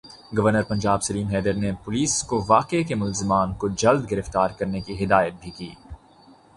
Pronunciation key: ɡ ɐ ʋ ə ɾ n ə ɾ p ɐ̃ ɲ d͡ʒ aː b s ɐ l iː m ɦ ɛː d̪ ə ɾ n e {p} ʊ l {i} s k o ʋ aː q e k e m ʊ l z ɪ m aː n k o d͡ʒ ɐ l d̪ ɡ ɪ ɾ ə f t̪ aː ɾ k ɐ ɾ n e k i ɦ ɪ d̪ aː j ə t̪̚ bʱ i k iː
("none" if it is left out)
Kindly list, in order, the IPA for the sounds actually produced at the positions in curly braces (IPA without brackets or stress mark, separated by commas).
p, iː